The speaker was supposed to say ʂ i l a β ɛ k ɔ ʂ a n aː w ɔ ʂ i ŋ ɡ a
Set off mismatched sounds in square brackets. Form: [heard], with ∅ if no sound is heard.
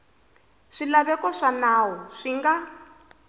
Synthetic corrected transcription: ʂ i l a β ɛ k ɔ ʂ a n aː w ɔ ʂ i ŋ ɡ a